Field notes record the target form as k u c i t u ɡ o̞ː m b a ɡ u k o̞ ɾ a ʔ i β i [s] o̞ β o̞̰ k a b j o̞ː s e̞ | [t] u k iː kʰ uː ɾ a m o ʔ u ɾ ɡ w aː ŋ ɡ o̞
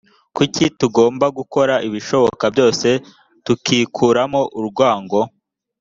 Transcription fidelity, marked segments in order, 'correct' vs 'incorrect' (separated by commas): incorrect, correct